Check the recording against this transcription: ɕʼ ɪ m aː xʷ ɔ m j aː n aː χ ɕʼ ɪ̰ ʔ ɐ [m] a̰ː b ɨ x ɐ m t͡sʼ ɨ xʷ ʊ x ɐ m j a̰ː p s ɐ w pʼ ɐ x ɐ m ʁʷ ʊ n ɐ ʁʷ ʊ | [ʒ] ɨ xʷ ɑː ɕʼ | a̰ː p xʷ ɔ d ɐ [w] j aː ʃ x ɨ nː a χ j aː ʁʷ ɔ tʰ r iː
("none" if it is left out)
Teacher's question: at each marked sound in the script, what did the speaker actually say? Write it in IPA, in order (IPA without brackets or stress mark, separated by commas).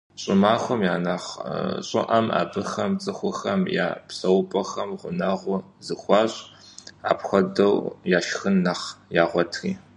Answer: m, z, w